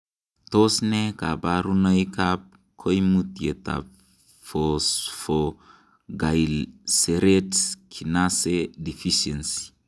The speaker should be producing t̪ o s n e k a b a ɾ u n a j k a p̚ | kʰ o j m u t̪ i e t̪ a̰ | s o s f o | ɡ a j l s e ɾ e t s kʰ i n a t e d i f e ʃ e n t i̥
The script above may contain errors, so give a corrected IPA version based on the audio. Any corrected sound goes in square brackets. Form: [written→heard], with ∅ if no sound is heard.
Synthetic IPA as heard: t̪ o s n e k a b a ɾ u n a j k a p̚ | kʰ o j m u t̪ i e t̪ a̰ | [s→f] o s f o | ɡ a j l s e ɾ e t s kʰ i n a [t→s] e d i f [e→i] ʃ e n [t→s] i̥